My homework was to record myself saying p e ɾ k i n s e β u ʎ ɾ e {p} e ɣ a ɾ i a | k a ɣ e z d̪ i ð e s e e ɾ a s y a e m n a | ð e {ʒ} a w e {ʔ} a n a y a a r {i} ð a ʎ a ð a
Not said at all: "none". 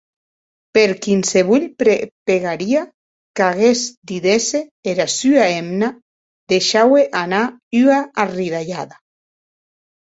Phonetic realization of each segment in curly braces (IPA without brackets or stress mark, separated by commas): p, ʃ, ʔ, i